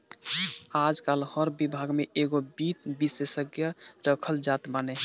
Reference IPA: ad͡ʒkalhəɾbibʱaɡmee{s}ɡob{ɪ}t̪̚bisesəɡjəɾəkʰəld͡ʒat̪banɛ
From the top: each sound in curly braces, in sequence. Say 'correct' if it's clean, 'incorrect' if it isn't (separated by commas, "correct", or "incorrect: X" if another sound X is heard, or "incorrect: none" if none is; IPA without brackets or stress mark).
incorrect: none, incorrect: i